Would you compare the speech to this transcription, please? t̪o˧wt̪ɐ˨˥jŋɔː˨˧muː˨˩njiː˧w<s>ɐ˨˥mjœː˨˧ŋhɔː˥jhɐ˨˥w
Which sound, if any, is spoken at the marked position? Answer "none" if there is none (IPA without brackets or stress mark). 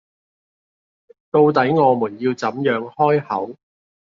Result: t͡s